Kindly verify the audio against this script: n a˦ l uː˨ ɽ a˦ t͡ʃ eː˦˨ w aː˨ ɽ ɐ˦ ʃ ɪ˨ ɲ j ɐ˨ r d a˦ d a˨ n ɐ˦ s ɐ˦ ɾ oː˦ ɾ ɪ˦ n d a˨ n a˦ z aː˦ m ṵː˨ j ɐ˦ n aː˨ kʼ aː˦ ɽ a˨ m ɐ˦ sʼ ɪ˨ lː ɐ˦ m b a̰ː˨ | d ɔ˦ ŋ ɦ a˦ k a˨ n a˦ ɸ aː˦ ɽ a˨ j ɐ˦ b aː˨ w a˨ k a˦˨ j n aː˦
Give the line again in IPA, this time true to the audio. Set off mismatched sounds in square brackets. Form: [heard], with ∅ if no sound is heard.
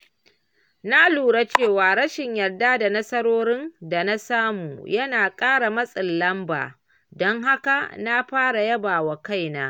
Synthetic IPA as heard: n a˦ l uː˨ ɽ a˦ t͡ʃ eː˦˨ w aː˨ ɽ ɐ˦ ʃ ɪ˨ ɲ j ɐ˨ r d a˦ d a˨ n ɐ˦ s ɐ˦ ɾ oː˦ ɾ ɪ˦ n d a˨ n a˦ [s] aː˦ m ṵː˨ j ɐ˦ n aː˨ kʼ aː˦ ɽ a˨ m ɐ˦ sʼ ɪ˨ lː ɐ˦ m b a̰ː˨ | d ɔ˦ ŋ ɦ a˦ k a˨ n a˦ ɸ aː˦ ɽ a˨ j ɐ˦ b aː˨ w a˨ k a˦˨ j n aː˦